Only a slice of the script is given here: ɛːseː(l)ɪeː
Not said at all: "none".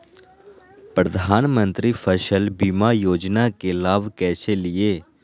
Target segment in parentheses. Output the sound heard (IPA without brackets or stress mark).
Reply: l